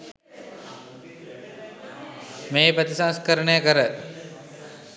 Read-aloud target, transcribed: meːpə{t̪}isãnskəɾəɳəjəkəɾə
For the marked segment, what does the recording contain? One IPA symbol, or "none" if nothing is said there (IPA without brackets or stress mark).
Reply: t̪